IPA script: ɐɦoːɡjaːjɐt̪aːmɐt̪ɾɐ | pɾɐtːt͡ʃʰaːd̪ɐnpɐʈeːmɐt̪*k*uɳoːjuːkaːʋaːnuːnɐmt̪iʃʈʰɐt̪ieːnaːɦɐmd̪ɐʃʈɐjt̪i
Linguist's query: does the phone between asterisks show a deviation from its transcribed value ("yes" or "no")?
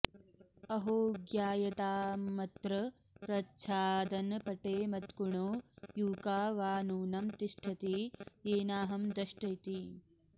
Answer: no